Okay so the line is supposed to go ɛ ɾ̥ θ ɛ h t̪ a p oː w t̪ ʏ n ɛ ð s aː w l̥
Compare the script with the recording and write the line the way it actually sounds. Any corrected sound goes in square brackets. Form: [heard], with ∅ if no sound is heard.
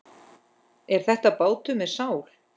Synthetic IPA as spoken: ɛ ɾ̥ θ ɛ h t̪ a p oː w t̪ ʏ [m] ɛ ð s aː w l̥